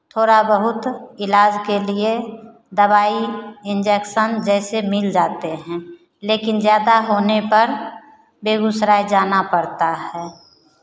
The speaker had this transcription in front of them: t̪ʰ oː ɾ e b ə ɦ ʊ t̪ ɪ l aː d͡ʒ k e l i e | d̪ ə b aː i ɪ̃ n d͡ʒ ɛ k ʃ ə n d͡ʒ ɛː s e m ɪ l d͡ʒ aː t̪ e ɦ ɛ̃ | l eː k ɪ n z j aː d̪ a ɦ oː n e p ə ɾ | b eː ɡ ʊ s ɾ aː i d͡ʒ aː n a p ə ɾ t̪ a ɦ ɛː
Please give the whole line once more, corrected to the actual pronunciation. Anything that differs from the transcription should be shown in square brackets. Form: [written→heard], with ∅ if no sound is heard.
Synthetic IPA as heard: t̪ʰ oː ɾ [e→a] b ə ɦ ʊ t̪ ɪ l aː d͡ʒ k e l i e | d̪ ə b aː i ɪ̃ n d͡ʒ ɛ k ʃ ə n d͡ʒ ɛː s e m ɪ l d͡ʒ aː t̪ e ɦ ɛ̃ | l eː k ɪ n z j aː d̪ a ɦ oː n e p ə ɾ | b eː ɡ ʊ s ɾ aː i d͡ʒ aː n a p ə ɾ t̪ a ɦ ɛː